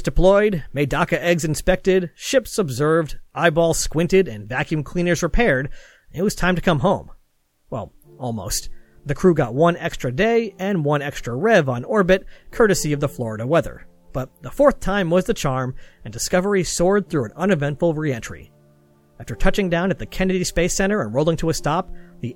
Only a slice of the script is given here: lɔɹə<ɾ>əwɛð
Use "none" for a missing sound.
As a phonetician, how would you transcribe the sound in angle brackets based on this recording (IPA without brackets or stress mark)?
ɾ